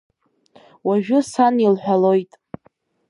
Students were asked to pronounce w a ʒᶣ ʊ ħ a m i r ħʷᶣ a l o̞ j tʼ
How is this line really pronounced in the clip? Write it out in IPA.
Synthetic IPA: w a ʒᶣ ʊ s a n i l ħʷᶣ a l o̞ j tʼ